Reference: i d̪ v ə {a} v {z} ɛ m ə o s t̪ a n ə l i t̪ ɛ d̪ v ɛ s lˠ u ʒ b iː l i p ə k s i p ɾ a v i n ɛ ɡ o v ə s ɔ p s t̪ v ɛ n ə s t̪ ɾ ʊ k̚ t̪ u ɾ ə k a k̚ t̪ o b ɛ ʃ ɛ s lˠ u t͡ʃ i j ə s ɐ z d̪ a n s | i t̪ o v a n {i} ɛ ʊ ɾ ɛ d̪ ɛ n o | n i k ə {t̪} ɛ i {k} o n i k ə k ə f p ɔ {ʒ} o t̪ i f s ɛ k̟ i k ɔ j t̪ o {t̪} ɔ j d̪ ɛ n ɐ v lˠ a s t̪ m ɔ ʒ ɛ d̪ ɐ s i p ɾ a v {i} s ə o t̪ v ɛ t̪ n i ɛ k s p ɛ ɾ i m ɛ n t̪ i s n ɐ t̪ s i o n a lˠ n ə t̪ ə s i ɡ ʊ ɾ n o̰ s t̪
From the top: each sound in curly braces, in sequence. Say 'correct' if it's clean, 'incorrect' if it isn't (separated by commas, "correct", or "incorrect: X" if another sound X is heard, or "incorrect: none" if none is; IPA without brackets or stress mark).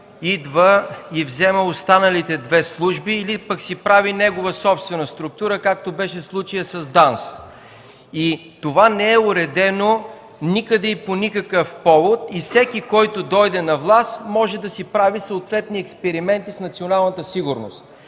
incorrect: i, correct, incorrect: ɛ, incorrect: d̪, incorrect: p, incorrect: v, incorrect: d̪, correct